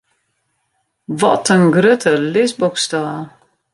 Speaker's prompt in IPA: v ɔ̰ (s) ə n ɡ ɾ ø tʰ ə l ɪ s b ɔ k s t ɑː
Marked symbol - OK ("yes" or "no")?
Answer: no